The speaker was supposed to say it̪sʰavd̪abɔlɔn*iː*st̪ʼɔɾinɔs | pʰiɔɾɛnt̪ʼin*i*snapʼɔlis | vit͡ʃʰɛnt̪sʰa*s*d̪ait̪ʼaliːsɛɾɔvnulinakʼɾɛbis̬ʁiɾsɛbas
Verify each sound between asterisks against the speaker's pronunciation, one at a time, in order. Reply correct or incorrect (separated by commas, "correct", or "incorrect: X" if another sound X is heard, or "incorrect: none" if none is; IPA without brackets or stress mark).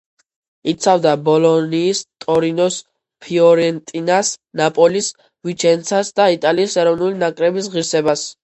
correct, incorrect: a, correct